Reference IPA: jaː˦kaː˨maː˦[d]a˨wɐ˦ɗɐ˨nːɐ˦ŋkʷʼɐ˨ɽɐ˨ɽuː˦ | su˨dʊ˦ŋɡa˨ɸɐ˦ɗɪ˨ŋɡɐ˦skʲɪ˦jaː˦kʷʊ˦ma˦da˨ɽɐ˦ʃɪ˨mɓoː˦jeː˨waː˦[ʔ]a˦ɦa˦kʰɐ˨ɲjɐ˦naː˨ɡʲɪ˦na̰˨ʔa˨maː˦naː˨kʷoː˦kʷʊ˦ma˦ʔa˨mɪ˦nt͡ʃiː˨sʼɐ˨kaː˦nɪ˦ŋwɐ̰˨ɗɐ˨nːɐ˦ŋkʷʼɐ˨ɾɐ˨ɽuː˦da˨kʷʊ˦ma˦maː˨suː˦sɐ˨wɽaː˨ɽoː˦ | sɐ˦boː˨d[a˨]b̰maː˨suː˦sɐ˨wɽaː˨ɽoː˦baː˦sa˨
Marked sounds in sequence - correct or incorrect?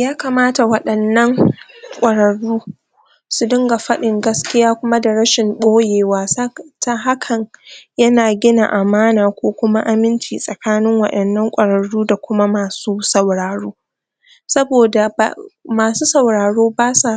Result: incorrect, incorrect, correct

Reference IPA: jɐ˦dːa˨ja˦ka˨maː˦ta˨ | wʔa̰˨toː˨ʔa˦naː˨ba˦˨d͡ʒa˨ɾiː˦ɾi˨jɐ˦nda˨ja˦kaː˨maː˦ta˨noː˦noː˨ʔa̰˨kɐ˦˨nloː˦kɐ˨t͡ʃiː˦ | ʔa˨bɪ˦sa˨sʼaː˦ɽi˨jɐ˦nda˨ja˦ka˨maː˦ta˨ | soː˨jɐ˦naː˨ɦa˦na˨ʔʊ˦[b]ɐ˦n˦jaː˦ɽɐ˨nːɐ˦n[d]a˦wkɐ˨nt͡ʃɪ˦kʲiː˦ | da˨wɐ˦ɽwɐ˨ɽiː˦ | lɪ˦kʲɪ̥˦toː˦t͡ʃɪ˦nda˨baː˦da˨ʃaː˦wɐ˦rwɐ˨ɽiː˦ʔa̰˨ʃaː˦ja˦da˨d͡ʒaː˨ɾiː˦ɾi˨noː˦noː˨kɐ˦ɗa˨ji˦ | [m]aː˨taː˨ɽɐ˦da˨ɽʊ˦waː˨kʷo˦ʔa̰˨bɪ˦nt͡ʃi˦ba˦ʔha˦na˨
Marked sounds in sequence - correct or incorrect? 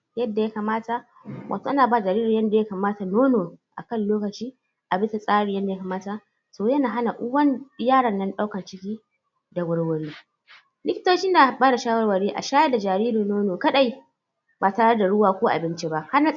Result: incorrect, incorrect, incorrect

